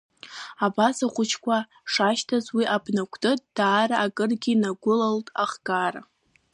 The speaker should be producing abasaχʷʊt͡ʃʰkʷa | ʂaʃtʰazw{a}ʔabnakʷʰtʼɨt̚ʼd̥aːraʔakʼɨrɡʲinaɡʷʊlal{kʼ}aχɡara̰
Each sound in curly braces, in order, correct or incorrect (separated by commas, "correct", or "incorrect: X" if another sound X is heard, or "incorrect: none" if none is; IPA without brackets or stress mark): incorrect: i, incorrect: tʼ